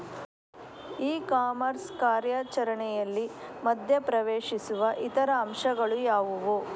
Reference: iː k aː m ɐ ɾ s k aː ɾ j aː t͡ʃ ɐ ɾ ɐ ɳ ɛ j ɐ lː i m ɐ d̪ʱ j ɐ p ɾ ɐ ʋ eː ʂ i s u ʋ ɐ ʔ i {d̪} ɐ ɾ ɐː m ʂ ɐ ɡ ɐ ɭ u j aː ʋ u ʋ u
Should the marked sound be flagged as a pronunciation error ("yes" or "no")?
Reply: yes